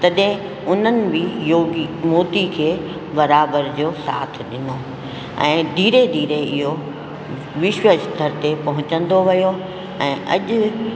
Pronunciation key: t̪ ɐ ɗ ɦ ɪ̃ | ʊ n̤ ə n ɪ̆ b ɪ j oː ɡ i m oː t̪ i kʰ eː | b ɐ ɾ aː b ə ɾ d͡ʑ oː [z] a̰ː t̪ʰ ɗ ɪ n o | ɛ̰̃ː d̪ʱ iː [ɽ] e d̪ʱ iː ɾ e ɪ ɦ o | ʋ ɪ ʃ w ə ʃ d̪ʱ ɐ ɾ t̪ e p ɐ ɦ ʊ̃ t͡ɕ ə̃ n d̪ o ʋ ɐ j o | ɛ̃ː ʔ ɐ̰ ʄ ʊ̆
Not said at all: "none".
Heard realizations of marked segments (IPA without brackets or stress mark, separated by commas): s, ɾ